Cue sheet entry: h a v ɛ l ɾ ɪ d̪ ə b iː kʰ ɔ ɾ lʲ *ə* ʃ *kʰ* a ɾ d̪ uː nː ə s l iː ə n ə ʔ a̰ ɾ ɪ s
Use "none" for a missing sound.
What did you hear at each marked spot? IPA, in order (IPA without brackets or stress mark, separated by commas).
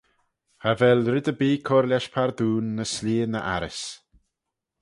a, pʰ